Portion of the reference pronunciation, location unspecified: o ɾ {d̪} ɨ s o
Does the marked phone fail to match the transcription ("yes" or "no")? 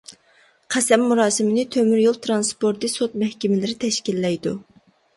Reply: yes